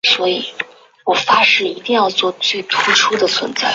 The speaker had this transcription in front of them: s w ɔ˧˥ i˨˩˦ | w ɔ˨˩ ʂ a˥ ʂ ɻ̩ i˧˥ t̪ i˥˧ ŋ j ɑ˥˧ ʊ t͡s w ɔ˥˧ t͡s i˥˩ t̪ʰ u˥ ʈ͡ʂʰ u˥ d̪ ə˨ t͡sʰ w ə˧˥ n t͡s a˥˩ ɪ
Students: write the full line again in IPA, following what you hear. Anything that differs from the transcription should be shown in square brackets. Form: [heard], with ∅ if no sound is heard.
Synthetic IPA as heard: s w ɔ˧˥ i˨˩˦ | w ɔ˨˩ [f] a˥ ʂ ɻ̩ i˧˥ t̪ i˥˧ ŋ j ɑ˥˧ ʊ t͡s w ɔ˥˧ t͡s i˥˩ t̪ʰ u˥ ʈ͡ʂʰ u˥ d̪ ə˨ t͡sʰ w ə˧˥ n t͡s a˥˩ ɪ